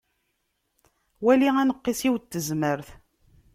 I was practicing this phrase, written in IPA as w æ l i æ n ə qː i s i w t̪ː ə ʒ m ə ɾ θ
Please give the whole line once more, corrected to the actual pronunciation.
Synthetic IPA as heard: w æ l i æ n ə qː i s i w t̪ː ə z m ə ɾ θ